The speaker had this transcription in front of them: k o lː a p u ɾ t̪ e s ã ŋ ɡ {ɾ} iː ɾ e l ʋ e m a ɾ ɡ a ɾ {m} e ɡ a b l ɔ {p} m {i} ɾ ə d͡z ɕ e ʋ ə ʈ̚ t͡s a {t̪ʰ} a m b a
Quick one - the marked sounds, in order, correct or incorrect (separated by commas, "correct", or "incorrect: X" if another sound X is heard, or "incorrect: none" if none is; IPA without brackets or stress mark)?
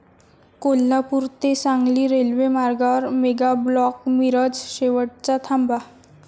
incorrect: l, correct, incorrect: k, correct, correct